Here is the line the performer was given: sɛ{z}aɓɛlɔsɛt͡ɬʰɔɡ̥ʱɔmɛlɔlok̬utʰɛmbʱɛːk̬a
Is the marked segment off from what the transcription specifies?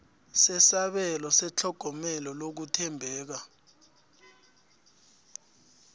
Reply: yes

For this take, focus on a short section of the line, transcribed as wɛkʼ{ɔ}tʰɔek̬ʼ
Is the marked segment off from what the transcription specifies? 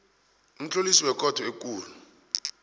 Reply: no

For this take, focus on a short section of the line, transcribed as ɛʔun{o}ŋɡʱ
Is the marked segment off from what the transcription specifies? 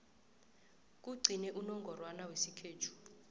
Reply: yes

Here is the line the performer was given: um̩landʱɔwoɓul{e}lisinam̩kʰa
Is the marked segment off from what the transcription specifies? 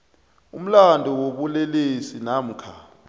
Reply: no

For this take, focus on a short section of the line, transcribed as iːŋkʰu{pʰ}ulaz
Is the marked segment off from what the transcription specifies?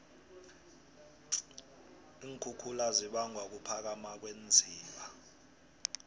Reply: yes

